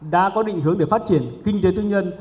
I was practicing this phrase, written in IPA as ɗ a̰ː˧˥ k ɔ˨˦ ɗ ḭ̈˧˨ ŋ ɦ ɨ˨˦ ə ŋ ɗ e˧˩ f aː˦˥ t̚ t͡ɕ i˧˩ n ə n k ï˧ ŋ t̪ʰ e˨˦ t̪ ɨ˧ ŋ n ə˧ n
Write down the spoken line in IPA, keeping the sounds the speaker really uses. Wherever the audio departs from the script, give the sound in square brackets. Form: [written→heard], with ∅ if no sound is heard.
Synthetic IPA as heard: ɗ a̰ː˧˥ k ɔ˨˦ ɗ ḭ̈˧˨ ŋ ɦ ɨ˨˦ ə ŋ ɗ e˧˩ f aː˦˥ t̚ t͡ɕ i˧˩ [n→∅] ə n k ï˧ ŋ [t̪ʰ→t̪] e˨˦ t̪ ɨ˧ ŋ [n→ɲ] ə˧ n